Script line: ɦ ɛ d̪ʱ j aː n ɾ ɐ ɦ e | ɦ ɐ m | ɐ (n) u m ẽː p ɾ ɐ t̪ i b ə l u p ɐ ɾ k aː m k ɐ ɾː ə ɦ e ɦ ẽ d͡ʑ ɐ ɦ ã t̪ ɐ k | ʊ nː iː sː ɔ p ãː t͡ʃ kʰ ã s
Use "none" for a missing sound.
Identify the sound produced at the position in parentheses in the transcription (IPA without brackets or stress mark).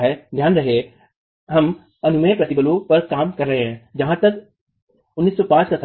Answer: n